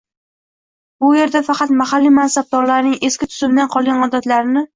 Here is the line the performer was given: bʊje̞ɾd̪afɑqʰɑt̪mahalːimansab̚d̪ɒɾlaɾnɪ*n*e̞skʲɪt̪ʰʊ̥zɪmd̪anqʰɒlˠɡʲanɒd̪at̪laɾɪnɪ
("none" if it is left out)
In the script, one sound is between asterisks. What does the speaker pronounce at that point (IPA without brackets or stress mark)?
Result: ŋ